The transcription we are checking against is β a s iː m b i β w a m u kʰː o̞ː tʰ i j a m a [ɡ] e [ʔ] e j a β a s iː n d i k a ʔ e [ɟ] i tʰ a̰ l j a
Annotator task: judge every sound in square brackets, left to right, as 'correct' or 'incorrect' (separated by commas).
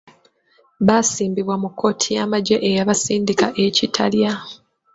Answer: incorrect, correct, incorrect